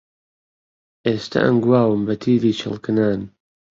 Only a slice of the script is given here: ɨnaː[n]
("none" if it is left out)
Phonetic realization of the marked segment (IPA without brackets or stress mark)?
n